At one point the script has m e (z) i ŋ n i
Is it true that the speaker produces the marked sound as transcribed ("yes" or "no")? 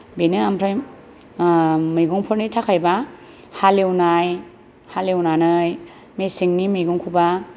no